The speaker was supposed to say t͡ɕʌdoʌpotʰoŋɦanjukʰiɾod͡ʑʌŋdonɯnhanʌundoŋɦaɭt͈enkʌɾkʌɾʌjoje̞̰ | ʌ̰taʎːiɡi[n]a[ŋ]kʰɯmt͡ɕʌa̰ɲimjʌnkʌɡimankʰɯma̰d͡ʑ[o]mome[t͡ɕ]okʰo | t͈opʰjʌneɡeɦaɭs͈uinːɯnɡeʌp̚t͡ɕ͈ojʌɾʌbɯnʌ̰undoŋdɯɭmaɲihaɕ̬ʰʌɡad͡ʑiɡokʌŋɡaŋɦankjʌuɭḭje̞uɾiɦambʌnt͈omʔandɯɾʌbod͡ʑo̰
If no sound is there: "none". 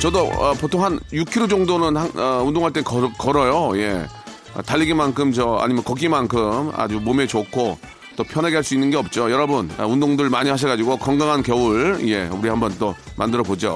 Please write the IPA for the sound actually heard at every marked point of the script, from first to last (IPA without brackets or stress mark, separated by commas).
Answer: m, n, u, t͡ɕ